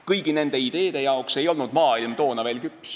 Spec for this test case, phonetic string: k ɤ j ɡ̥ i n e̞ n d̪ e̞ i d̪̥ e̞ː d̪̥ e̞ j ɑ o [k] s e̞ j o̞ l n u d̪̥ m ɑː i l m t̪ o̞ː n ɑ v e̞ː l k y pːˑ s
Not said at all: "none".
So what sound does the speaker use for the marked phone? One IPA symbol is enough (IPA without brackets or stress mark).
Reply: k